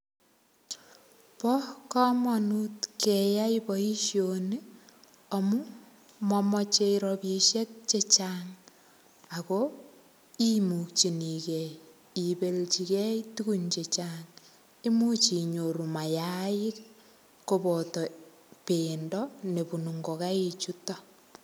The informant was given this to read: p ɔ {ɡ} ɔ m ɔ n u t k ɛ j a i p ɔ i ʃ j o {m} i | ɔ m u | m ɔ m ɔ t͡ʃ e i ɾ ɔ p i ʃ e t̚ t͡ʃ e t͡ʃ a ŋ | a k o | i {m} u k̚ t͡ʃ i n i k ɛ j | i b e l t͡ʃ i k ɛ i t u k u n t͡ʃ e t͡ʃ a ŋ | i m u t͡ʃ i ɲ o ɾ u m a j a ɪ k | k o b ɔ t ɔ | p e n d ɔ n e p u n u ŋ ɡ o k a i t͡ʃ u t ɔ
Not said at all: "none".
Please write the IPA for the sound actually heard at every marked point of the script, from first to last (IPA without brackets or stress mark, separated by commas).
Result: k, n, m